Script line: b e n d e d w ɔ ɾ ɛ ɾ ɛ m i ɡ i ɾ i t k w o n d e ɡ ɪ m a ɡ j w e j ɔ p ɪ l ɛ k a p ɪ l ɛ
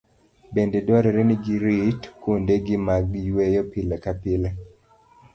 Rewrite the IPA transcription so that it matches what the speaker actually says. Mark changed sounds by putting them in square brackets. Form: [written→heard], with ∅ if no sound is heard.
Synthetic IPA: b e n d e d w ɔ ɾ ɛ ɾ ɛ [m→n] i ɡ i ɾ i t k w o n d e ɡ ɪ m a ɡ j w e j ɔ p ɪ l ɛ k a p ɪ l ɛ